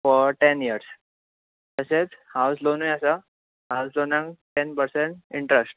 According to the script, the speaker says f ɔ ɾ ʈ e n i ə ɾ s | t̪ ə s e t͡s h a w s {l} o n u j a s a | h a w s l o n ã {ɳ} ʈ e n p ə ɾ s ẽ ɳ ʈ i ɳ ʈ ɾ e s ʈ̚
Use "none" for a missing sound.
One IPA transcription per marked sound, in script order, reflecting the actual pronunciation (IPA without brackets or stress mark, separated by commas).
l, ŋ